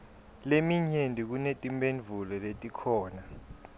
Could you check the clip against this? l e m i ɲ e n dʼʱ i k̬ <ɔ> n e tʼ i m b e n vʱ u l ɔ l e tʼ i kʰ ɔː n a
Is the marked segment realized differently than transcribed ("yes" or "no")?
yes